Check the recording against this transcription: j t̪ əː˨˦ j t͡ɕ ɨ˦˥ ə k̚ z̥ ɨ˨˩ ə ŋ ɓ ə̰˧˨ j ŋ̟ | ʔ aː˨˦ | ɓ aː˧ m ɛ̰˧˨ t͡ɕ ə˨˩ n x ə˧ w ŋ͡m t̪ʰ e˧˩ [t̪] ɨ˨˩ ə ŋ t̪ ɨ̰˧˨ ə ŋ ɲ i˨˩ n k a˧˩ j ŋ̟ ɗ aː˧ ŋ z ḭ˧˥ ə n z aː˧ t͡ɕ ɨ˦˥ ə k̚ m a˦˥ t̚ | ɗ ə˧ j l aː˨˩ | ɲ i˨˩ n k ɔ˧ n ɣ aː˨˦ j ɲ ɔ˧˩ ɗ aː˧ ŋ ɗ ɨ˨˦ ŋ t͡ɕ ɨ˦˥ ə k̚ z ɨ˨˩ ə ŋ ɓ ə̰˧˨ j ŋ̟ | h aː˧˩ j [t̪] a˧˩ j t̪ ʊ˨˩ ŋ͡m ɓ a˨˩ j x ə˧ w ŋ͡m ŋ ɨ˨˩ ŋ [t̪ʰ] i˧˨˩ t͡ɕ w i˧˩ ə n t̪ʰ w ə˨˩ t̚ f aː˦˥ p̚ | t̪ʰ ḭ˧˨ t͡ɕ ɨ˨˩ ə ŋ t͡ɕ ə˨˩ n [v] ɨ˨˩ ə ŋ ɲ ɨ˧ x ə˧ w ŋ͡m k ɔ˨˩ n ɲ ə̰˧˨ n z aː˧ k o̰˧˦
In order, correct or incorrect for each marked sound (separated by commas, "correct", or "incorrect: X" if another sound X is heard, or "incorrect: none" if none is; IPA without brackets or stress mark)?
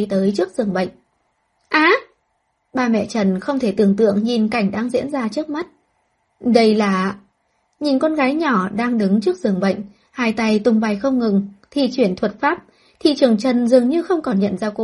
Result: correct, correct, correct, incorrect: z